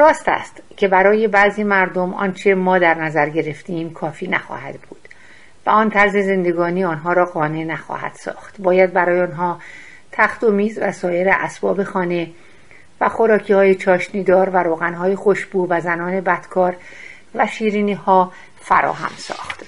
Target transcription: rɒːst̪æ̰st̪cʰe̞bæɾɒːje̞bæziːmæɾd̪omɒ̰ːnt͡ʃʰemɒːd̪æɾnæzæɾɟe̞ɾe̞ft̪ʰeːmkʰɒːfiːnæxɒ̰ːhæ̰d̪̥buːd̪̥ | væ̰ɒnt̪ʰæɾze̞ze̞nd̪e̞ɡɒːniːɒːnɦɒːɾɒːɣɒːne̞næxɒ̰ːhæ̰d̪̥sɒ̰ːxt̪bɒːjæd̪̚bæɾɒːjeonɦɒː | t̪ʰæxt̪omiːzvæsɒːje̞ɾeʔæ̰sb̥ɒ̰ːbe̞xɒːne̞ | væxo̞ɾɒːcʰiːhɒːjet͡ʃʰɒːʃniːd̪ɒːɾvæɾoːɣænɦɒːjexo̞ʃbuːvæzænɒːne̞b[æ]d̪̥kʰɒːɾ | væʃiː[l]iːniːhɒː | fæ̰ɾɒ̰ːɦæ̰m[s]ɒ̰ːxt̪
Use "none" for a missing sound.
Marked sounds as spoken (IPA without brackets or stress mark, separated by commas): æ, ɾ, s